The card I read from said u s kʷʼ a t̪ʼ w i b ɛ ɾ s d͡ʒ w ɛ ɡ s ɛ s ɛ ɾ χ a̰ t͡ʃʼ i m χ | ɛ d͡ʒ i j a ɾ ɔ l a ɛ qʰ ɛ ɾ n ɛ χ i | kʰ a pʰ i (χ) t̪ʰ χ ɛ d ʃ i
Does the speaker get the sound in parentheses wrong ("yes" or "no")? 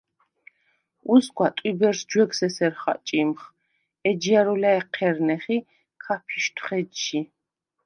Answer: yes